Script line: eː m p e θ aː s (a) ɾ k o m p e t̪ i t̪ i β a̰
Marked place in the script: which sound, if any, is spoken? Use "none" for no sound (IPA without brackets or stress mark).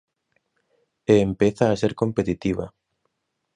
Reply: e